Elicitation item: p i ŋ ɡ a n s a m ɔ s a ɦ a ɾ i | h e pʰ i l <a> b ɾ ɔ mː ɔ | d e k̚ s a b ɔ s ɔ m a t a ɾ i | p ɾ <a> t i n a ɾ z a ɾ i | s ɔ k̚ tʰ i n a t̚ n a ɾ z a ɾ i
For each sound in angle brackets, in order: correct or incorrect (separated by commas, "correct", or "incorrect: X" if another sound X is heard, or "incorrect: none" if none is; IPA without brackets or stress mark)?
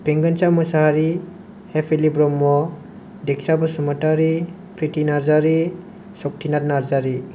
incorrect: i, incorrect: i